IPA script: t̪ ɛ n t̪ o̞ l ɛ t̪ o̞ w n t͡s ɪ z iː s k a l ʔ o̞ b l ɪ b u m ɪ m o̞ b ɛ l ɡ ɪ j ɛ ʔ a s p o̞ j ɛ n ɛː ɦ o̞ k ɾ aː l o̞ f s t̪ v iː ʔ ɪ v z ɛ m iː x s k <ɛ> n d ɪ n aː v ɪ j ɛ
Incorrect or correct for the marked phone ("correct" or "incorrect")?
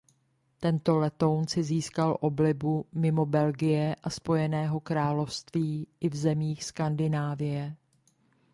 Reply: incorrect